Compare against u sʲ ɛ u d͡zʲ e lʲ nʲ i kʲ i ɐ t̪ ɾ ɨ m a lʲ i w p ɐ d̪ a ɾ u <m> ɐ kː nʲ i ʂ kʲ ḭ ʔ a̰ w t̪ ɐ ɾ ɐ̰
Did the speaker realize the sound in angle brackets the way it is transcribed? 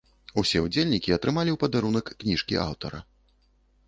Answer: no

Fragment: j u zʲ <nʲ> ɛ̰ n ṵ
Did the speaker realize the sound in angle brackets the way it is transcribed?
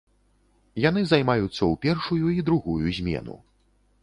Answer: no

